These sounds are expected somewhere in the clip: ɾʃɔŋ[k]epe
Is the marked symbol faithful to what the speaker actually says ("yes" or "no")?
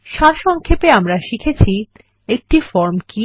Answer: no